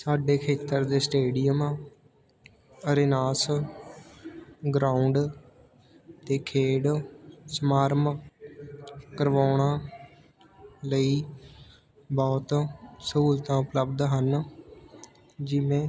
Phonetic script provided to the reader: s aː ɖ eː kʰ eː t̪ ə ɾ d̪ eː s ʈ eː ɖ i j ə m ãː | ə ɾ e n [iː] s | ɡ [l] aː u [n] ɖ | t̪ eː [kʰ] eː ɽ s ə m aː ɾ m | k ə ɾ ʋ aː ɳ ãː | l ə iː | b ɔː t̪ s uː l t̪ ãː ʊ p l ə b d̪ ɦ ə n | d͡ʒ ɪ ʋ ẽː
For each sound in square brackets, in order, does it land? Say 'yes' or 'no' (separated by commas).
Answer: no, no, no, yes